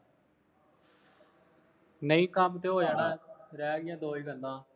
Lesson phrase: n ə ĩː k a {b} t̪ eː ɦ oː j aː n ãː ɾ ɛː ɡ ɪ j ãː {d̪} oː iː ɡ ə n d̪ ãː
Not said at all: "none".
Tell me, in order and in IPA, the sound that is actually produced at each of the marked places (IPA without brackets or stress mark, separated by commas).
m, d̪